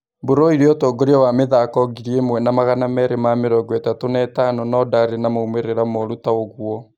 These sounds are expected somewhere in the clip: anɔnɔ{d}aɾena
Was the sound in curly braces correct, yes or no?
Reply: yes